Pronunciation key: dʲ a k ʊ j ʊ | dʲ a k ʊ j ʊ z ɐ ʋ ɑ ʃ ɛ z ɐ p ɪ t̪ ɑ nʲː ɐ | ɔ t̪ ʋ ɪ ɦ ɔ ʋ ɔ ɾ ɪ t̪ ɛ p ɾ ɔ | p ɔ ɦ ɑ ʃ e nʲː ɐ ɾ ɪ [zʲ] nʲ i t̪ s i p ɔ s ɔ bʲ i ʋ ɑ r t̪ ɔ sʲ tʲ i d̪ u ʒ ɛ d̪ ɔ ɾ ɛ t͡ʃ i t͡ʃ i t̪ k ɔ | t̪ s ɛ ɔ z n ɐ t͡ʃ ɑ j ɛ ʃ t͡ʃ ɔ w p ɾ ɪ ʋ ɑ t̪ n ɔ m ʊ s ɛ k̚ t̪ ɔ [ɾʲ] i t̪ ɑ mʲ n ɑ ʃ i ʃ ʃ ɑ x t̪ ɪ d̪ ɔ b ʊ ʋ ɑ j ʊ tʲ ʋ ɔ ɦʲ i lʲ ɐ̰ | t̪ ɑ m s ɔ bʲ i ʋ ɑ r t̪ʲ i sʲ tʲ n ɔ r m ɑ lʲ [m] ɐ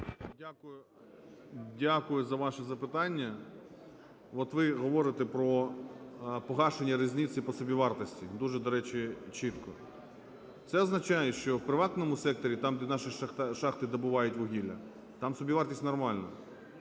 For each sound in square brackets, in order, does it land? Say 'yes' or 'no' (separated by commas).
yes, yes, no